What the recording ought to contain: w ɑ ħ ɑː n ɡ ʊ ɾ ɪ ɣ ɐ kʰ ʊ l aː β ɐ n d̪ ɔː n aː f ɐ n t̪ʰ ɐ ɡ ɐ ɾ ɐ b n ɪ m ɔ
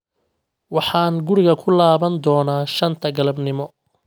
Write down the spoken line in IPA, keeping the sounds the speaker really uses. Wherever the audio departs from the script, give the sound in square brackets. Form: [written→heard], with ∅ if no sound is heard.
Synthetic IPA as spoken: w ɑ ħ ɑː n ɡ ʊ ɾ ɪ ɣ ɐ kʰ ʊ l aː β ɐ n d̪ ɔː n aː [f→ʃ] ɐ n t̪ʰ ɐ ɡ ɐ [ɾ→l] ɐ b n ɪ m ɔ

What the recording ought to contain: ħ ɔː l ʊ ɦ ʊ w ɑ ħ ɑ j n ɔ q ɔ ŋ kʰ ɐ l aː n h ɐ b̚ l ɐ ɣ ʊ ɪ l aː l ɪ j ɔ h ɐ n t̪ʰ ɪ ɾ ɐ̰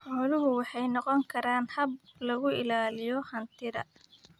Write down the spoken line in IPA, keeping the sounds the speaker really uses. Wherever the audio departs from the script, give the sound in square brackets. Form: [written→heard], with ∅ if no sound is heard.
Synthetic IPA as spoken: ħ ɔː l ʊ ɦ ʊ w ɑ ħ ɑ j n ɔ q ɔ ŋ kʰ ɐ [l→ɾ] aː n h ɐ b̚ l ɐ ɣ ʊ ɪ l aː l ɪ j ɔ h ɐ n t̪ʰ ɪ ɾ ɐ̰

